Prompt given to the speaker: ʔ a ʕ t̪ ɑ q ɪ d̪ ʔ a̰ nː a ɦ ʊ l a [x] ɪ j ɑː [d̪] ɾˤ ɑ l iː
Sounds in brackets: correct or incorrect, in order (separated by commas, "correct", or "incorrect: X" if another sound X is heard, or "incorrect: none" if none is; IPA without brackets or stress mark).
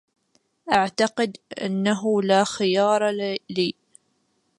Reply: correct, incorrect: none